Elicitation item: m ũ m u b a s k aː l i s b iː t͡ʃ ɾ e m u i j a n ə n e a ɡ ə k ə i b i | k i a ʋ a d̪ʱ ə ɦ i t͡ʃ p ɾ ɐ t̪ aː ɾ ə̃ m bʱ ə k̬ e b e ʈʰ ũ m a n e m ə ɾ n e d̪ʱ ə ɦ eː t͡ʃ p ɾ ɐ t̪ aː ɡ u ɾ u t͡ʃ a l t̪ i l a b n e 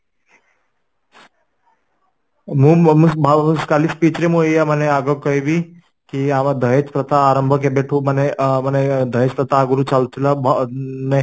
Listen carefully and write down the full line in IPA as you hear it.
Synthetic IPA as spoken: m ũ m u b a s k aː l i s p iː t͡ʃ ɾ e m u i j a m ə n e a ɡ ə k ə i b i | k i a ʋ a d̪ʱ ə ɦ e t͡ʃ p ɾ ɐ t̪ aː ɾ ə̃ m bʱ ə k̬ e b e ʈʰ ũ m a n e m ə n e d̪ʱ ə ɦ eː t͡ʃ p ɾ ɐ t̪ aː ɡ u ɾ u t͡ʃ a l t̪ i l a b n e

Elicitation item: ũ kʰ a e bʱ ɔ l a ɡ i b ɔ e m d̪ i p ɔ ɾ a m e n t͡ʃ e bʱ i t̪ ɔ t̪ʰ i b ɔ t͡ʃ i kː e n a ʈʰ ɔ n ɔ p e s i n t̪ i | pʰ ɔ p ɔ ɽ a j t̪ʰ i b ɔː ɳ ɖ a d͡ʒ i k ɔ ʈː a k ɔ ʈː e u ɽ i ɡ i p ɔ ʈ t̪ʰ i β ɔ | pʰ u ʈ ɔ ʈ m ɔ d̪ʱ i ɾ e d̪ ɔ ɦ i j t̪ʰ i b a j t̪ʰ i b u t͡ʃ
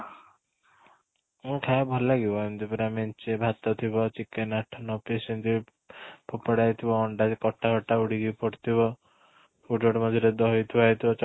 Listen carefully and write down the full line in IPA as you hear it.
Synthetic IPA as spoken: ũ kʰ a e bʱ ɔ l a ɡ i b ɔ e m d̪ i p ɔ ɾ a m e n t͡ʃ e bʱ a t̪ ɔ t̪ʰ i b ɔ t͡ʃ i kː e n a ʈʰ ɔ n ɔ p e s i n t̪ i | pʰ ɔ p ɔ ɽ a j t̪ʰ i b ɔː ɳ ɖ a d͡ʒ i k ɔ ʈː a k ɔ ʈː a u ɽ i ɡ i p ɔ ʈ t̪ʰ i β ɔ | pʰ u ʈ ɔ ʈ m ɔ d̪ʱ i ɾ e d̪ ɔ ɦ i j t̪ʰ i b a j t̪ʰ i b ɔ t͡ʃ

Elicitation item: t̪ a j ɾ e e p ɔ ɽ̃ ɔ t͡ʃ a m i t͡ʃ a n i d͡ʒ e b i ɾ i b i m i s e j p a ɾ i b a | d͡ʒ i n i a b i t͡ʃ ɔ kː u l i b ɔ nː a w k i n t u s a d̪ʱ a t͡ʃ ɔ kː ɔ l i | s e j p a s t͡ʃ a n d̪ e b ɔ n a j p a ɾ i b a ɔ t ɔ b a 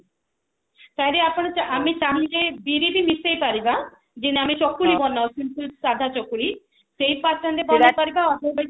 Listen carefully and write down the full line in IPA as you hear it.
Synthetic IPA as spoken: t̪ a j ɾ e a p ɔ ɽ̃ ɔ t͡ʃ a m i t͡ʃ a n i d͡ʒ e b i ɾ i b i m i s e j p a ɾ i b a | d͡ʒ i n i a m i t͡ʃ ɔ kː u l i b ɔ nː a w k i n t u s a d̪ʱ a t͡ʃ ɔ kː u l i | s e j p a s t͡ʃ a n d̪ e b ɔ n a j p a ɾ i b a ɔ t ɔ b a

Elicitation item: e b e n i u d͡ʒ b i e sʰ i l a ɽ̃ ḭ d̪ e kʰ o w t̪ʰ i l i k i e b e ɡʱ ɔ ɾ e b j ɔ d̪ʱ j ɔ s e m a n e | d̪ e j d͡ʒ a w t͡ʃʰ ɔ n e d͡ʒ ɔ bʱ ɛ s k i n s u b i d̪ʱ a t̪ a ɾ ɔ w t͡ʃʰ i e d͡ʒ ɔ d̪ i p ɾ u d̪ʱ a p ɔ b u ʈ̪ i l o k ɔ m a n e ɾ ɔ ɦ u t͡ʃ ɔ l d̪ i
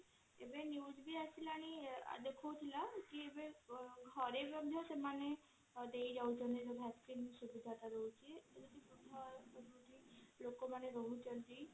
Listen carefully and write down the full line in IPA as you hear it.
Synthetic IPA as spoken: e b e n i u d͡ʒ b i a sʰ i l a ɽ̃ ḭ d̪ e kʰ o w t̪ʰ i l a k i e b e ɡʱ ɔ ɾ e b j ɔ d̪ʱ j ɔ s e m a n e | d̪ e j d͡ʒ a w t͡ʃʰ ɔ n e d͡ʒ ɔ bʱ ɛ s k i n s u b i d̪ʱ a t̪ a ɾ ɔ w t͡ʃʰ i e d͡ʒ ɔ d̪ i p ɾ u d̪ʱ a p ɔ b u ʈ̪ i l o k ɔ m a n e ɾ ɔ ɦ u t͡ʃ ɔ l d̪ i

